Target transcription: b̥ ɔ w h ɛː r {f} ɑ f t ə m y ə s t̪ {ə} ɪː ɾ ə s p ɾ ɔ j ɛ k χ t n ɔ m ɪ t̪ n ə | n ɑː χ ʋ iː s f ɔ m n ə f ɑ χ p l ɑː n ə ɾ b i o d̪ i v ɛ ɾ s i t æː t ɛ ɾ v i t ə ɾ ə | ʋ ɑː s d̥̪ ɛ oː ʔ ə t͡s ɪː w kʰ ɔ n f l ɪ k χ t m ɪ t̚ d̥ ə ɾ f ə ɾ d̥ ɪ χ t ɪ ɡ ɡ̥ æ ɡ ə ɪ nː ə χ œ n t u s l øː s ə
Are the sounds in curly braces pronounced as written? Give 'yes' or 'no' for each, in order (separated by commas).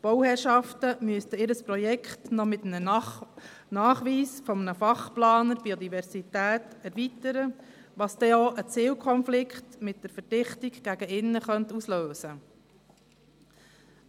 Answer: no, yes